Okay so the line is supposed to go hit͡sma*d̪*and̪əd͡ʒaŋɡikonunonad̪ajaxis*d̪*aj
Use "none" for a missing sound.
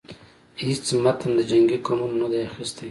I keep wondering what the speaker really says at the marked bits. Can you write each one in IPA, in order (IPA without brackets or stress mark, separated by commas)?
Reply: t̪, t̪